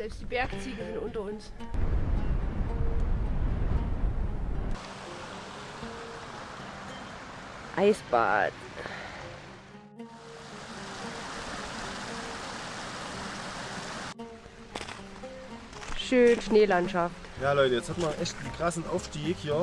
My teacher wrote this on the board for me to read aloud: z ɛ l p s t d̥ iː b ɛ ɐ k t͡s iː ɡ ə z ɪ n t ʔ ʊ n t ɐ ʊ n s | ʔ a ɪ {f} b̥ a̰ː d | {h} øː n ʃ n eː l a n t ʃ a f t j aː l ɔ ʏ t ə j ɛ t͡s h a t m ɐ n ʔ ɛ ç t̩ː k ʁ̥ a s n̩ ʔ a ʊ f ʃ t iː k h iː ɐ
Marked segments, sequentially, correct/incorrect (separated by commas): incorrect, incorrect